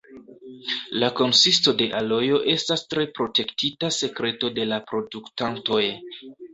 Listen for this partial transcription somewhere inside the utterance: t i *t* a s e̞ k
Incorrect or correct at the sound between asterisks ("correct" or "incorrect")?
correct